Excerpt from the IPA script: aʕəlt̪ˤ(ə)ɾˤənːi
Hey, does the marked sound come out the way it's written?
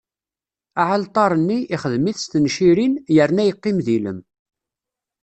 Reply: no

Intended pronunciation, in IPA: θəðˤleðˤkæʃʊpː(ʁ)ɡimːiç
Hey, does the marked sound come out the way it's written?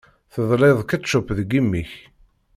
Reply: no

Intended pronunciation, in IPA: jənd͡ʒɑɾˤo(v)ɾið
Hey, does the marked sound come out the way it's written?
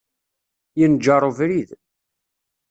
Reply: yes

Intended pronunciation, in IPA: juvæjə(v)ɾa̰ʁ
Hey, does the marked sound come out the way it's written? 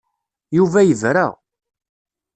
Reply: yes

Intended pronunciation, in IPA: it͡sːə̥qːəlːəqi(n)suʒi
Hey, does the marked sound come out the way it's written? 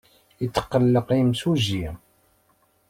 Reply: no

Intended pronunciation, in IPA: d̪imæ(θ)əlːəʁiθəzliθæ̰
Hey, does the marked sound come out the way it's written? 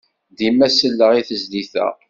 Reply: no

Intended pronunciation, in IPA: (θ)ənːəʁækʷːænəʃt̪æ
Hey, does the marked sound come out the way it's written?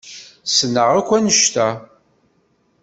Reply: no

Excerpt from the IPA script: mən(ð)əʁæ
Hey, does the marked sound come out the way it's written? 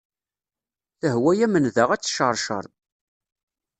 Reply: yes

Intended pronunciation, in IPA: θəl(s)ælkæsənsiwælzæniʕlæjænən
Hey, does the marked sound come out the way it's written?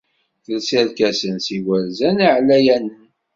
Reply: yes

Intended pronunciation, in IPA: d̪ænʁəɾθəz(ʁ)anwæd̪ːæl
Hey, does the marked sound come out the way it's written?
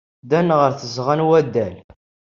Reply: yes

